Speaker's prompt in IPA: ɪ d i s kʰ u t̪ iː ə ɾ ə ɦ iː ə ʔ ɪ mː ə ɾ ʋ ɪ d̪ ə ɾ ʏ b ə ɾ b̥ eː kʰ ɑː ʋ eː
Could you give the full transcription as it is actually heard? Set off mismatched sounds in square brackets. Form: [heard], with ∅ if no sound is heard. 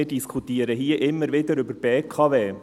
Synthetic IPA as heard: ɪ d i s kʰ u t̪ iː ə ɾ ə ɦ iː ə ʔ ɪ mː ə ɾ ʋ ɪ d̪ ə ɾ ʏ b ə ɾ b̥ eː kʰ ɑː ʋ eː